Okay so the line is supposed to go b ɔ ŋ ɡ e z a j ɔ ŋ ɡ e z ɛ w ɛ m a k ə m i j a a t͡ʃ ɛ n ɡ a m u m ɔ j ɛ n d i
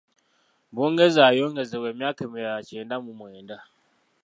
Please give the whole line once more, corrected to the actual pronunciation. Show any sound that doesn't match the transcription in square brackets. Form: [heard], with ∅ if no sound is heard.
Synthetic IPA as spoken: b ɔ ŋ ɡ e z a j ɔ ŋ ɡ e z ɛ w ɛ m a k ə m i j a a t͡ʃ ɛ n [d] a m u m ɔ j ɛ n d [a]